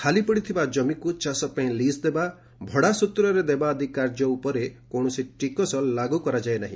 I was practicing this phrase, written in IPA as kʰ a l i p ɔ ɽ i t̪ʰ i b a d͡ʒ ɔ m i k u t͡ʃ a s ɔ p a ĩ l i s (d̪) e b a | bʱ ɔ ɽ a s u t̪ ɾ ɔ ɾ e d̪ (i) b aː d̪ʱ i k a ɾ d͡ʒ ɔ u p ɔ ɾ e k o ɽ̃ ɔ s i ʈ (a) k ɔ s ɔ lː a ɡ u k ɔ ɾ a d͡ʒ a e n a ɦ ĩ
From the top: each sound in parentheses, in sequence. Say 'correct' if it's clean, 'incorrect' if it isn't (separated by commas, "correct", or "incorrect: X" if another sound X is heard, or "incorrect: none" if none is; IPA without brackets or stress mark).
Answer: correct, incorrect: e, incorrect: i